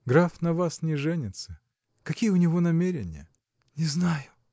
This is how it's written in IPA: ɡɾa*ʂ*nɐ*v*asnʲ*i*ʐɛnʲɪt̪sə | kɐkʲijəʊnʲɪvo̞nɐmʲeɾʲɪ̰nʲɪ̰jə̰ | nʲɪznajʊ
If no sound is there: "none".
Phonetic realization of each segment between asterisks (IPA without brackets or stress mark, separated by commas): f, v, ɪ